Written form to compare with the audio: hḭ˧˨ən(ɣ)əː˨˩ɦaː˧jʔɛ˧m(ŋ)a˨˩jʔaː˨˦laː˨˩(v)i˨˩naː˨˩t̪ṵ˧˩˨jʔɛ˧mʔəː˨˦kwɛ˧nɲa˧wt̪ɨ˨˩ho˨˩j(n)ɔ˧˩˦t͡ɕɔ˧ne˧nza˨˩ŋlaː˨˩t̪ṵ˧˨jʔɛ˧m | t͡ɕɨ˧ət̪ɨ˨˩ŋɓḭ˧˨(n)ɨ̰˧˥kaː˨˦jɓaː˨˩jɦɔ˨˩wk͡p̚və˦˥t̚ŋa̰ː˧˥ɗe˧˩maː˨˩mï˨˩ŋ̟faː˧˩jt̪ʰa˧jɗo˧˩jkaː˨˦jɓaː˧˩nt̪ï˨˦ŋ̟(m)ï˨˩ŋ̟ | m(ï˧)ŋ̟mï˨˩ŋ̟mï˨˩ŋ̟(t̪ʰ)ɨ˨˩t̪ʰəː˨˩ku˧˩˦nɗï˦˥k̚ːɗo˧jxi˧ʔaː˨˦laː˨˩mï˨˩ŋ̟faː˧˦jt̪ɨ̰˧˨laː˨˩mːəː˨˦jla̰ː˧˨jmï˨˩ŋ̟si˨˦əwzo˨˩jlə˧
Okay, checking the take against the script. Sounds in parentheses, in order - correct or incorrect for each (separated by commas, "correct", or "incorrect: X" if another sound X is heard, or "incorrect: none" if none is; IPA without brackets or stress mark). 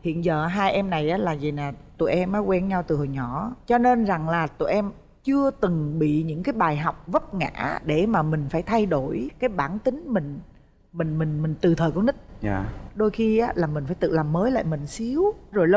incorrect: z, incorrect: n, incorrect: z, incorrect: ɲ, incorrect: ɲ, correct, incorrect: ï˨˩, incorrect: t̪